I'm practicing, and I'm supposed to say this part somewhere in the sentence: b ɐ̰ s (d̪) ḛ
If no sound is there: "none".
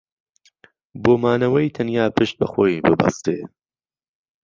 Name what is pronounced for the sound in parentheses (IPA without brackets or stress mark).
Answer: t̪